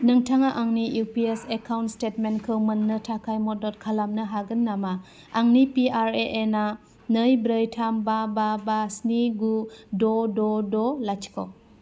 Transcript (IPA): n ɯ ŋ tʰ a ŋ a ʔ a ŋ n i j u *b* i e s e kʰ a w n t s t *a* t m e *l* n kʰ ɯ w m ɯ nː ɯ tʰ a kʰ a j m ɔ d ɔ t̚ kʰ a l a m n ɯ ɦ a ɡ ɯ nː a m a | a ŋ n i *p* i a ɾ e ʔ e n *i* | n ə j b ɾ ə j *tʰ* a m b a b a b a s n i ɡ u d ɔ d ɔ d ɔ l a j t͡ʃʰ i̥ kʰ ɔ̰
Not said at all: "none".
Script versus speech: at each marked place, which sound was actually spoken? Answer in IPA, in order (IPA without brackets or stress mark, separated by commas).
p, e, none, p, a, tʰ